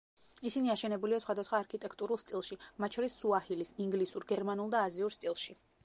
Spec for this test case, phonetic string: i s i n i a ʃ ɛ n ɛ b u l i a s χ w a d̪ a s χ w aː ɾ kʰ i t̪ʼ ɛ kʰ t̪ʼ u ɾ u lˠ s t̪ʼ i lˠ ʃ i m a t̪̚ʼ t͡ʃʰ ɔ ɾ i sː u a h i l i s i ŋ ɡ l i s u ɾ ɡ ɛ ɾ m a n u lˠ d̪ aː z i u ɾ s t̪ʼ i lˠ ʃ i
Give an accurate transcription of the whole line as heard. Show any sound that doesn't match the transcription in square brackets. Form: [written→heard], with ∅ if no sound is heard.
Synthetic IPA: i s i n i a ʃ ɛ n ɛ b u l i a s χ w a d̪ a s χ w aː ɾ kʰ i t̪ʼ ɛ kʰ t̪ʼ u ɾ u lˠ s t̪ʼ i lˠ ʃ i m a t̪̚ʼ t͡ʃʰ ɔ ɾ i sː u a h i l i s i ŋ ɡ l i s u ɾ ɡ ɛ ɾ m a n u lˠ d̪ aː z i u ɾ s t̪ʼ i lˠ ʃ i